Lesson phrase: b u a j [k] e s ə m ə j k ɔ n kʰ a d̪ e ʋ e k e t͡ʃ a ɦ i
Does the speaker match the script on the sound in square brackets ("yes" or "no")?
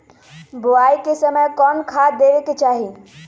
yes